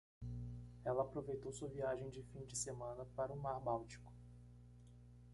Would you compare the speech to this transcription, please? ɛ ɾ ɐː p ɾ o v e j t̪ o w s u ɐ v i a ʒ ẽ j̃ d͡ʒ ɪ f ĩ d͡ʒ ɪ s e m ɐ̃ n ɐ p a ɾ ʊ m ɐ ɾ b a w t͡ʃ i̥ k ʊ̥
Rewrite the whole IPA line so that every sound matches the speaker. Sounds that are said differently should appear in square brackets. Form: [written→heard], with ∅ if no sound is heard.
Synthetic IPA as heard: ɛ [ɾ→l] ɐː p ɾ o v e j t̪ o w s u ɐ v i a ʒ ẽ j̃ d͡ʒ ɪ f ĩ d͡ʒ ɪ s e m ɐ̃ n ɐ p a ɾ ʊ m [ɐ→a] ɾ b a w t͡ʃ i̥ k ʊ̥

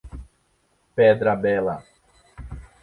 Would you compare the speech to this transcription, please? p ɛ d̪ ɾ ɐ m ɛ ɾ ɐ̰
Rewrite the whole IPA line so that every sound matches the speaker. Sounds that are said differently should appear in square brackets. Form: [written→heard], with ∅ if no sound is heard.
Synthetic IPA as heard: p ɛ d̪ ɾ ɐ [m→b] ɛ [ɾ→l] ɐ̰

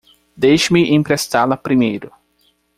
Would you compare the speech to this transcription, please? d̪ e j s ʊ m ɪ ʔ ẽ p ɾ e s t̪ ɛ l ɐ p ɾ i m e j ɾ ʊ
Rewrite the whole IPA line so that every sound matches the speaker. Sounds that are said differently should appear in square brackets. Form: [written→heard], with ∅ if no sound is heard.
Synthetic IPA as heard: d̪ e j [s→ʃ] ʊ m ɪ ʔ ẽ p ɾ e s t̪ [ɛ→a] l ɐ p ɾ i m e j ɾ ʊ

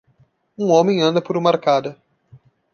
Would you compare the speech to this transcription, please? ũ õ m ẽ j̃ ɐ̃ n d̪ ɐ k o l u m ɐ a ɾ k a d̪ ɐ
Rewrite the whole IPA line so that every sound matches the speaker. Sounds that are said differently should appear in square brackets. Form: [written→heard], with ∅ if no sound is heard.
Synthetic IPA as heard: ũ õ m ẽ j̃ ɐ̃ n d̪ ɐ [k→p] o [l→ɾ] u m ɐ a ɾ k a d̪ ɐ

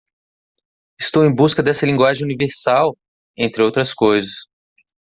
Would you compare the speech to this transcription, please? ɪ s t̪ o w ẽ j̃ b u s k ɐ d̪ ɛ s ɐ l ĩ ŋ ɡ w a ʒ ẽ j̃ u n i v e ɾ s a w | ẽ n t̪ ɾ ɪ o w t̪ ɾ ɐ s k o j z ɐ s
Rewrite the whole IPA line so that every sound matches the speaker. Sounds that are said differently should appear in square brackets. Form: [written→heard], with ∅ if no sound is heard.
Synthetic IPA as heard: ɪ s t̪ o w ẽ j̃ b u s k ɐ d̪ ɛ s ɐ l ĩ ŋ ɡ w a ʒ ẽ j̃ u n i v e ɾ s a w | ẽ n t̪ ɾ ɪ o w t̪ ɾ ɐ s k o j z ɐ s

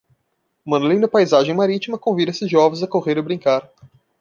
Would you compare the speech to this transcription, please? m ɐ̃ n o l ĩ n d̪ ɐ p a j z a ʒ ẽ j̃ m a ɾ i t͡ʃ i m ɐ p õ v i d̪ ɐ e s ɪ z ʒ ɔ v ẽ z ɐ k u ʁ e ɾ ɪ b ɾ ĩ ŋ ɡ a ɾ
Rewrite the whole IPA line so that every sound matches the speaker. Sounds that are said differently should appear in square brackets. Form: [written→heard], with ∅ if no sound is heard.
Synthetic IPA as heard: m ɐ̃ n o l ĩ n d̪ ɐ p a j z a ʒ ẽ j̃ m a ɾ i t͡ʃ i m ɐ [p→k] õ v i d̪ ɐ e s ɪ z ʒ ɔ v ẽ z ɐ k [u→o] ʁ e ɾ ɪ b ɾ ĩ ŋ [ɡ→k] a ɾ

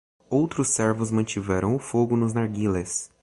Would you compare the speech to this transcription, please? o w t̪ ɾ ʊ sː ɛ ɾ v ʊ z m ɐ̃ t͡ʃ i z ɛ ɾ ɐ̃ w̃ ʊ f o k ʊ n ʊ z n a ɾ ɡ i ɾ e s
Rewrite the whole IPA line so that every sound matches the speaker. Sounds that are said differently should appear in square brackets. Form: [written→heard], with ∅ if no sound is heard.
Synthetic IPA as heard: o w t̪ ɾ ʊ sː ɛ ɾ v ʊ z m ɐ̃ t͡ʃ i [z→v] ɛ ɾ ɐ̃ w̃ ʊ f o [k→ɡ] ʊ n ʊ z n a ɾ ɡ i [ɾ→l] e s

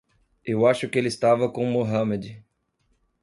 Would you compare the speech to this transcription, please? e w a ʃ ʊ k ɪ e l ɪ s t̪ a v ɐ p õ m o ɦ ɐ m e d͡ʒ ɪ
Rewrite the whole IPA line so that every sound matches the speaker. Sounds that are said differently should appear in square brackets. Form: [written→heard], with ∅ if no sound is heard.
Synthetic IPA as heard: e w a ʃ ʊ k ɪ e l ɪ s t̪ a v ɐ [p→k] õ m o ɦ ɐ m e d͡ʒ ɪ

